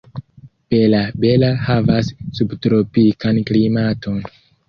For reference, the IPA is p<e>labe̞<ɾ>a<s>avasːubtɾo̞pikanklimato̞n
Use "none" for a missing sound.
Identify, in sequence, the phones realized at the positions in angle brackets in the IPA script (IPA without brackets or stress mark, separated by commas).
e, l, h